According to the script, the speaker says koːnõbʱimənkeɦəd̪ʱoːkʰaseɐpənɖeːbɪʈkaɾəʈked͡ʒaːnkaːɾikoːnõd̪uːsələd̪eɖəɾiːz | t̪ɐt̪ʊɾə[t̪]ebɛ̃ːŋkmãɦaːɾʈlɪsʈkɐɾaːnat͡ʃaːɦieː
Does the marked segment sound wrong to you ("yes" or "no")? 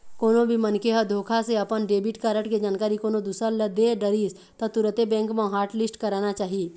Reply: no